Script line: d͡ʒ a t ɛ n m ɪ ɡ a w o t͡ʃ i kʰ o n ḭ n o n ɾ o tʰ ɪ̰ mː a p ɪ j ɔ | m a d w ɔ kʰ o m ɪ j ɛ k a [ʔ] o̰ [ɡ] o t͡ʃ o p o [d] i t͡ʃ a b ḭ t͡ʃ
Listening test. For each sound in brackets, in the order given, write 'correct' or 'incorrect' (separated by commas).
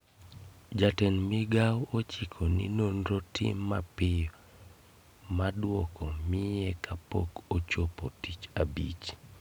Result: incorrect, incorrect, incorrect